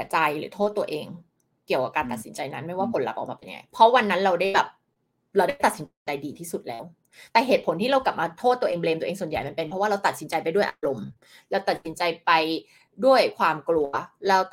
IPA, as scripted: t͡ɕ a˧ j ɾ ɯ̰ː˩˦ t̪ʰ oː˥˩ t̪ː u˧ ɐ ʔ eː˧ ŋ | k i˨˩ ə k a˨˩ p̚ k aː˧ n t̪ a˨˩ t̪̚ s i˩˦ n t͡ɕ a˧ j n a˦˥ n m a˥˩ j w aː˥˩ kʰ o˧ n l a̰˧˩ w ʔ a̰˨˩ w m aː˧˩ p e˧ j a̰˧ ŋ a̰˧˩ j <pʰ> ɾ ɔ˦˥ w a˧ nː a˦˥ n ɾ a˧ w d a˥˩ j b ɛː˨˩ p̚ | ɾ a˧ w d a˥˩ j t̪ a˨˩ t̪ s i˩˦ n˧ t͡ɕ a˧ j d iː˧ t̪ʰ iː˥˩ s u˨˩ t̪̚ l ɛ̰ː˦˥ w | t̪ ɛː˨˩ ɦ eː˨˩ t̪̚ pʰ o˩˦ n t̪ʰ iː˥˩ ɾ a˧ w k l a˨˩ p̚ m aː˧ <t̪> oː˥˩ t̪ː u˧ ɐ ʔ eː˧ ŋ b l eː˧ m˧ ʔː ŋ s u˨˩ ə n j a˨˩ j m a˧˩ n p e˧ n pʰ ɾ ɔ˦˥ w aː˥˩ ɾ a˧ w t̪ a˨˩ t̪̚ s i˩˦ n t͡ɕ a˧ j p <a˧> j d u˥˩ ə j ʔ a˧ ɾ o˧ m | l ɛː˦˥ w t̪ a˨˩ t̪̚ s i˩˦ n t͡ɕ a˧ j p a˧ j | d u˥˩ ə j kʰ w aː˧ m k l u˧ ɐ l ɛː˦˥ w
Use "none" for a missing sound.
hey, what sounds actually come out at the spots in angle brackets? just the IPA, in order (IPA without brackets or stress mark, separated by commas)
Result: pʰ, t̪ʰ, a˧